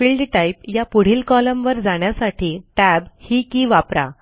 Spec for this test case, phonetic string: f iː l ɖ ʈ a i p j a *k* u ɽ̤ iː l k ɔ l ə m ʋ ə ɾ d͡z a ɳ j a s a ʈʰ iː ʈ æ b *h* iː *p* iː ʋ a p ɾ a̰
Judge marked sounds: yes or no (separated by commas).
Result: no, yes, no